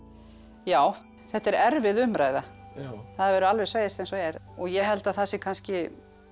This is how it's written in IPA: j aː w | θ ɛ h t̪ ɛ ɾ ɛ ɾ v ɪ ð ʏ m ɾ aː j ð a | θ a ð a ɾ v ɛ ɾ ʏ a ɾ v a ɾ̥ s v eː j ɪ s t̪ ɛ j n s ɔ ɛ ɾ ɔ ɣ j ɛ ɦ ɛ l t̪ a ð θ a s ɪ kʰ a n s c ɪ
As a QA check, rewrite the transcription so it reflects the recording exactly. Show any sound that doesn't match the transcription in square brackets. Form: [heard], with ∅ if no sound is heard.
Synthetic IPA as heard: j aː w | θ ɛ h t̪ ɛ ɾ ɛ ɾ v ɪ ð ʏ m ɾ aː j ð a | θ a ð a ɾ v ɛ ɾ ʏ a [l] v [ɛ] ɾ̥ s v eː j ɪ s t̪ ɛ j n s ɔ ɛ ɾ ɔ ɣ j ɛ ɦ ɛ l t̪ a ð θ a s ɪ kʰ a n s c ɪ